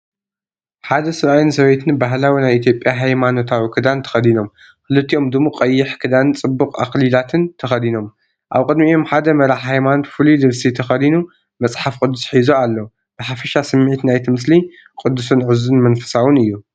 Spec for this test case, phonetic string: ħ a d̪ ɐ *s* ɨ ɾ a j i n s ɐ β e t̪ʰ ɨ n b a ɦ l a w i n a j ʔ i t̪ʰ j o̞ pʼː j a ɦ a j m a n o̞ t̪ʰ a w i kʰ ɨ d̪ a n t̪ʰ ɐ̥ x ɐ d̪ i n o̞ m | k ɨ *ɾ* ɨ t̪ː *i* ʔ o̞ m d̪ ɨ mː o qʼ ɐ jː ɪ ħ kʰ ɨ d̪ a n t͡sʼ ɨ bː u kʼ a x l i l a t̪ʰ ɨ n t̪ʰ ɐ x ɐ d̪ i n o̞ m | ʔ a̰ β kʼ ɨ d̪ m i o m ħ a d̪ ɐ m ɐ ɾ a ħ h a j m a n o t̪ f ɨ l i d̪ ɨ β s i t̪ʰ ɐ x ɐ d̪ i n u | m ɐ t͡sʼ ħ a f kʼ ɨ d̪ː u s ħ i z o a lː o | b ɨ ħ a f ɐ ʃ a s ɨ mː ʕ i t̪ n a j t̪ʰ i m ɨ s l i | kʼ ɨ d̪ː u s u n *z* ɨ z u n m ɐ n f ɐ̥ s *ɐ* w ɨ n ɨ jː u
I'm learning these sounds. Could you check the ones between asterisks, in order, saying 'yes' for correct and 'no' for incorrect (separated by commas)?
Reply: yes, no, yes, no, no